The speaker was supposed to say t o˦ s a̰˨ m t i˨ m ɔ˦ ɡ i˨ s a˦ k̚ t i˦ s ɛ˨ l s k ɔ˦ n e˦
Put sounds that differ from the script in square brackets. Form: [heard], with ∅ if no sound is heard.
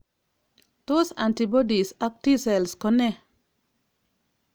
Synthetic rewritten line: t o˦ s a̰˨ [n] t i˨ [b] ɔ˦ [d] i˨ s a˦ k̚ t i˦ s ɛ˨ l s k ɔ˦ n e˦